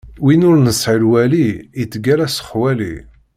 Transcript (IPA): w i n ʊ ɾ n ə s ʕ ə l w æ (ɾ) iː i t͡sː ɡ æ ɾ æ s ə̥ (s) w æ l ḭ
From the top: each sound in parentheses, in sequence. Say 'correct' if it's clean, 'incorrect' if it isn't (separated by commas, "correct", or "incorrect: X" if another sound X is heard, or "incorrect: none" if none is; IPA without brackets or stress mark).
incorrect: l, incorrect: χ